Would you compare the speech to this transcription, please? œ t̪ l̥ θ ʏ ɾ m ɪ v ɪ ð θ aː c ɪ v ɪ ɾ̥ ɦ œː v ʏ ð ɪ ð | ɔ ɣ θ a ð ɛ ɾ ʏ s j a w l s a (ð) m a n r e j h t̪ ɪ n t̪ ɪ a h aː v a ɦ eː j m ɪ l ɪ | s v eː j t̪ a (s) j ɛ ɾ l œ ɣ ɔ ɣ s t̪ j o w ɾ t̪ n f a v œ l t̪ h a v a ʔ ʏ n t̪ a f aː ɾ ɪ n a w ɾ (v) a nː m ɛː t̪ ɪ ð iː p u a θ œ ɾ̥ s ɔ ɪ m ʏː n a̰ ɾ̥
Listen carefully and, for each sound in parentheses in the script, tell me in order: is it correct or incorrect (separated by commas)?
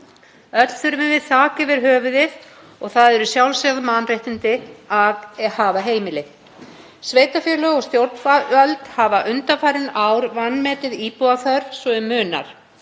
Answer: correct, incorrect, correct